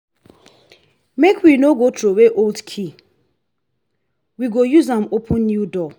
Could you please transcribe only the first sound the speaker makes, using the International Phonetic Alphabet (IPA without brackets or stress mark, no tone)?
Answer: m